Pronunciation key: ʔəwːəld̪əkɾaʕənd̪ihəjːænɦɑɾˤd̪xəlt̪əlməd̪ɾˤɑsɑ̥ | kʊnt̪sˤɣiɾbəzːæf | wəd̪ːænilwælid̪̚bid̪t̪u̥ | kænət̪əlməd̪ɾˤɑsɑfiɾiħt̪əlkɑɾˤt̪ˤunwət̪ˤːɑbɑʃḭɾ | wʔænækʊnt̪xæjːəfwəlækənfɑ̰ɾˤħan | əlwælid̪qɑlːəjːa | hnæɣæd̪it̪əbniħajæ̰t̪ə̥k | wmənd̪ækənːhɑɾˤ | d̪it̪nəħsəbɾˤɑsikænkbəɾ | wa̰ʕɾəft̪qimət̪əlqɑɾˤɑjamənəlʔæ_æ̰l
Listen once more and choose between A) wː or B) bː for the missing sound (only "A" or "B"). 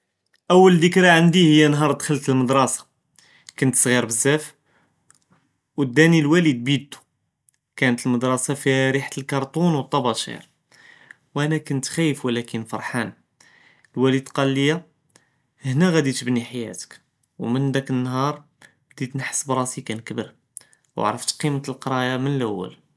A